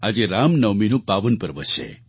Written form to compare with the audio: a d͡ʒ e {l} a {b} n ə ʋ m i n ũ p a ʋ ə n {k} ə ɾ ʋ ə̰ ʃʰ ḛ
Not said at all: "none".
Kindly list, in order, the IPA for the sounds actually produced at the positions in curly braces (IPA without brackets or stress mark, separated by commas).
ɾ, m, p